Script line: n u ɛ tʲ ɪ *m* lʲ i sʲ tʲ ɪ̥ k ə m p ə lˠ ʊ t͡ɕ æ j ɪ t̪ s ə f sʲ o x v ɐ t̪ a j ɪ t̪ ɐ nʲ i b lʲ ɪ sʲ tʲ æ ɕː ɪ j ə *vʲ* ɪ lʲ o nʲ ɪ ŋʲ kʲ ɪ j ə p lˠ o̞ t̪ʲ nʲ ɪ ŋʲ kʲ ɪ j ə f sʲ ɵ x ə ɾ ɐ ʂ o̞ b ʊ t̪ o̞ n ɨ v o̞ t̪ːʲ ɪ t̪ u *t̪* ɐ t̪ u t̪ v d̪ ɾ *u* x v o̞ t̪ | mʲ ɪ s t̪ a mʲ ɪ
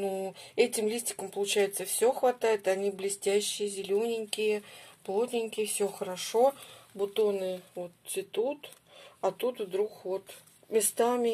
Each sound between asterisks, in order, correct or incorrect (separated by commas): correct, incorrect, correct, correct